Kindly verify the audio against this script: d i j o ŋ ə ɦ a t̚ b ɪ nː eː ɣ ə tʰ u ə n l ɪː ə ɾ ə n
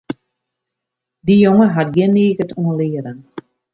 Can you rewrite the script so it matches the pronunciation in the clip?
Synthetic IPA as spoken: d i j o ŋ ə ɦ a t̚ ɡ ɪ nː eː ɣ ə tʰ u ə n l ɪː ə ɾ ə n